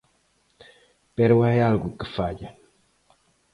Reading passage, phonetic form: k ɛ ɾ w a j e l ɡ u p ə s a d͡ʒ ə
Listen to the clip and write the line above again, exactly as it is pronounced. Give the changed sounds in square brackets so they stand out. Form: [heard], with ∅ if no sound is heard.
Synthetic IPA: [p] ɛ ɾ w a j [a] l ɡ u [k] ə [f] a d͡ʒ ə